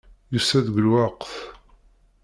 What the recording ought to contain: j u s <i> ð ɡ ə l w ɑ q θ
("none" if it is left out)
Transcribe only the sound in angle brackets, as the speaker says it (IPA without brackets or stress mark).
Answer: æ